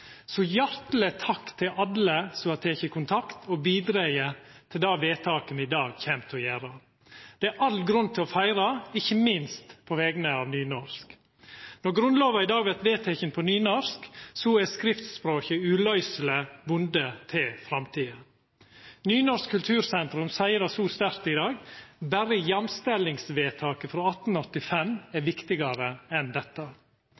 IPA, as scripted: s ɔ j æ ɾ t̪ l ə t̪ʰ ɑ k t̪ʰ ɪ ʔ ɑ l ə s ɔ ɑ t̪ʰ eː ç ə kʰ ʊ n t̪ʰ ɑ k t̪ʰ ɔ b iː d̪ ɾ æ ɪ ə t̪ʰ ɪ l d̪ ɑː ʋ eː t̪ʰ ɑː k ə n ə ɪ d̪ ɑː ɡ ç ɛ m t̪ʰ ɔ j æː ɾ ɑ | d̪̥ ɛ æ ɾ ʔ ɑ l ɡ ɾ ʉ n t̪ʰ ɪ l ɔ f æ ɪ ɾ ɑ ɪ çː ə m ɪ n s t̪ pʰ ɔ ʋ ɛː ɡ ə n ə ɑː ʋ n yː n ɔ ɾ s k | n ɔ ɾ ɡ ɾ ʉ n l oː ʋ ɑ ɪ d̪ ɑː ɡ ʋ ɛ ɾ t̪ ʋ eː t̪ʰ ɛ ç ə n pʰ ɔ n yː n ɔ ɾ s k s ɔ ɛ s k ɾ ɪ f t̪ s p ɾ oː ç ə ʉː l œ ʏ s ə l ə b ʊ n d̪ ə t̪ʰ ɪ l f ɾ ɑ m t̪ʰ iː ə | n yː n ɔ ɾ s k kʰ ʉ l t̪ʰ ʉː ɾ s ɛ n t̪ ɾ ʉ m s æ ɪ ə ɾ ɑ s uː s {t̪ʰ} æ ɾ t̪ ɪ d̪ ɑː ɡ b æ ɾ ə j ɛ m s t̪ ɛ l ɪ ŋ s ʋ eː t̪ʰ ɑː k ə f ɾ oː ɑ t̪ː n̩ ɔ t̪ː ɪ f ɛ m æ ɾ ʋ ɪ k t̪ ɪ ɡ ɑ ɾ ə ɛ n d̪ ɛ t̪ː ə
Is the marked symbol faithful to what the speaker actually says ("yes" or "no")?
no